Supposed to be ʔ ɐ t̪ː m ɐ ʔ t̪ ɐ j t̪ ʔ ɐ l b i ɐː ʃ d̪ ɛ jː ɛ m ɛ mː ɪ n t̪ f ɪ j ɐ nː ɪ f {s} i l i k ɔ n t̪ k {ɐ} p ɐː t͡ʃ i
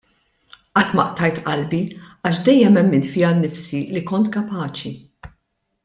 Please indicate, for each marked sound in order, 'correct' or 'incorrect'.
correct, correct

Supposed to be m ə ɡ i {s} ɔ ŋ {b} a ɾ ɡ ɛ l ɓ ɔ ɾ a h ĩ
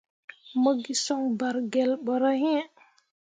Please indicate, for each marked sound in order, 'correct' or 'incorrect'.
correct, correct

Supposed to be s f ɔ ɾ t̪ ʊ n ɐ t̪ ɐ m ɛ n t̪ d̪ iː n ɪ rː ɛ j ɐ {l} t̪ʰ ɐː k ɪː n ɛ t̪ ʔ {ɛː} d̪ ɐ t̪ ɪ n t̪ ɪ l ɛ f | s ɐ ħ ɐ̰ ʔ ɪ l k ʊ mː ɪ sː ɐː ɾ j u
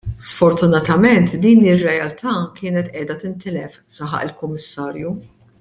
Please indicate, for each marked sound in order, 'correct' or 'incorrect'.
correct, correct

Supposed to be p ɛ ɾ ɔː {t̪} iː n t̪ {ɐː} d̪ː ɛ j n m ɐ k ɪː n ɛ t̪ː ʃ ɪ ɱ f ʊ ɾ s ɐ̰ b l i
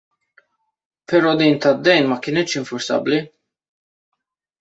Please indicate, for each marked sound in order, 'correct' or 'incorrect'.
incorrect: d̪, incorrect: ɐ

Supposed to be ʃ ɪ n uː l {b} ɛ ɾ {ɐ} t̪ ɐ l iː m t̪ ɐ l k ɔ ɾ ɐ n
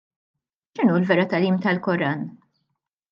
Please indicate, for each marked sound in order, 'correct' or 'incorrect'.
incorrect: v, correct

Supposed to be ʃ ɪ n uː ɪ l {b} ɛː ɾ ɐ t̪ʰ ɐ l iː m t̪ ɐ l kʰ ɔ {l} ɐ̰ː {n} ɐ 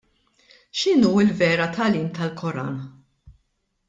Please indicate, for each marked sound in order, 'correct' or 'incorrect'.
incorrect: v, incorrect: ɾ, correct

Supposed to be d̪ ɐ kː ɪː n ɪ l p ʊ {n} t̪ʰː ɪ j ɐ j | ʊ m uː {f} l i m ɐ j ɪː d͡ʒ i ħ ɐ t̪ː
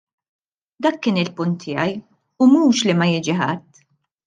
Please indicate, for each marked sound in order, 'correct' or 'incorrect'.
correct, incorrect: ʃ

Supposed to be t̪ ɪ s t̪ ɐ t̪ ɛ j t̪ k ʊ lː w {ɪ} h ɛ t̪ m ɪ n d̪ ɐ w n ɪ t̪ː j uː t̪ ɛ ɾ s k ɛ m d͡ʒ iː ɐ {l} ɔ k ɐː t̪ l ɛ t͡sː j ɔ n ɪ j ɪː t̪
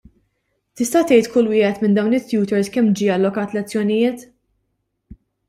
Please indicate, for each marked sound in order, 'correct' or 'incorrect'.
incorrect: ɪː, incorrect: lː

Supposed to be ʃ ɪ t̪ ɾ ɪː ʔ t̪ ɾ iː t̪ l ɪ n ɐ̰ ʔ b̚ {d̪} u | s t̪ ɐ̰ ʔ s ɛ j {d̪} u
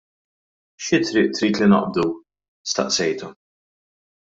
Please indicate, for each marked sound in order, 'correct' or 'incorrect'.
correct, incorrect: t̪

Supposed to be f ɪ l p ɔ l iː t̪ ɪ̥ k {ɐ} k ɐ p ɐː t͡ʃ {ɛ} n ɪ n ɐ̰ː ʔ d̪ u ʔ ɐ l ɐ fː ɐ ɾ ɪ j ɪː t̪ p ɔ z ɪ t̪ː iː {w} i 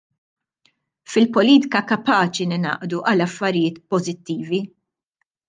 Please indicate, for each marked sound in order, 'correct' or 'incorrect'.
correct, incorrect: i, incorrect: v

